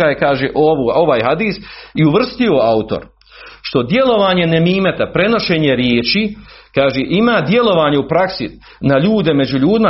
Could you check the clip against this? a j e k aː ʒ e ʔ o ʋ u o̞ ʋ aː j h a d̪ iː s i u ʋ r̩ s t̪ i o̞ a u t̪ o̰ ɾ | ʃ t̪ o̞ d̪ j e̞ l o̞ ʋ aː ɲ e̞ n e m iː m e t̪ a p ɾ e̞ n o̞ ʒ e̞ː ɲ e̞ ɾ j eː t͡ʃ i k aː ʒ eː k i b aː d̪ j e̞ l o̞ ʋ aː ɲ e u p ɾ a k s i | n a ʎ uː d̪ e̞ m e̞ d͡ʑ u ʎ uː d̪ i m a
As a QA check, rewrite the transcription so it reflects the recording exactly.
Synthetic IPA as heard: a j e k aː ʒ e ʔ o ʋ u o̞ ʋ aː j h a d̪ iː s i u ʋ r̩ s t̪ i o̞ a u t̪ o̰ ɾ | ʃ t̪ o̞ d̪ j e̞ l o̞ ʋ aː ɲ e̞ n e m iː m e t̪ a p ɾ e̞ n o̞ ʃ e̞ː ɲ e̞ ɾ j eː t͡ʃ i k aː ʒ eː ʔ i m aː d̪ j e̞ l o̞ ʋ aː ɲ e u p ɾ a k s i | n a ʎ uː d̪ e̞ m e̞ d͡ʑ u ʎ uː d̪ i m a